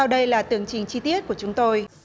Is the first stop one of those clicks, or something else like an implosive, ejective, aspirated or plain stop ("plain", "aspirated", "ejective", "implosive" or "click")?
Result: implosive